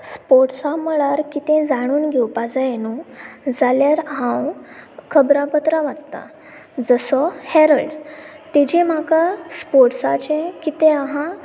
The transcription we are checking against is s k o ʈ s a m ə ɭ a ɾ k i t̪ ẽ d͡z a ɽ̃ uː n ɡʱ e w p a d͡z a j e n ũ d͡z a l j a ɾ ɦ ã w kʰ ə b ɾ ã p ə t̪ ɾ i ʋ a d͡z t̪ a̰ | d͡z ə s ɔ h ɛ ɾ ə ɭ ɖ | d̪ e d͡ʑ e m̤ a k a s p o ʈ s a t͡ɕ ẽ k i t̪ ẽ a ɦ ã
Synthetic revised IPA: s p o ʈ s a m ə ɭ a ɾ k i t̪ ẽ d͡z a ɽ̃ uː n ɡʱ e w p a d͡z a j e n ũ d͡z a l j a ɾ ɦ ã w kʰ ə b ɾ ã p ə t̪ ɾ a ʋ a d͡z t̪ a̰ | d͡z ə s ɔ h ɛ ɾ ə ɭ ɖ | t̪ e d͡ʑ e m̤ a k a s p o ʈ s a t͡ɕ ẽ k i t̪ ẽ a ɦ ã